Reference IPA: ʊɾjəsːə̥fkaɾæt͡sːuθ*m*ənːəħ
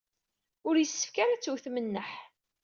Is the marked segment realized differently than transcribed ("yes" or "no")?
no